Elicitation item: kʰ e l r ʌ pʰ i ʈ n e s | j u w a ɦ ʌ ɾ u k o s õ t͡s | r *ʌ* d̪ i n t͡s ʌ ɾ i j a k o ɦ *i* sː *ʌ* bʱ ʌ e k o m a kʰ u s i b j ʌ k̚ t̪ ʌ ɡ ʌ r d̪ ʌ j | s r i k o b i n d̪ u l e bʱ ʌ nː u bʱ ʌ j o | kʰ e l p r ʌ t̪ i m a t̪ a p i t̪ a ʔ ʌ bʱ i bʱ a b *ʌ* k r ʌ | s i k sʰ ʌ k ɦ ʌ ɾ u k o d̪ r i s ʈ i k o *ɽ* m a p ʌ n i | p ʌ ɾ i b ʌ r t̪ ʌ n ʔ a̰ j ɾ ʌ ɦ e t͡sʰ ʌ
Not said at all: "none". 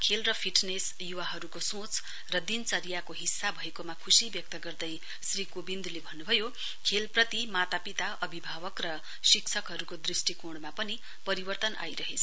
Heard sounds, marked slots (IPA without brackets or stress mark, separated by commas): ʌ, i, a, ʌ, ɽ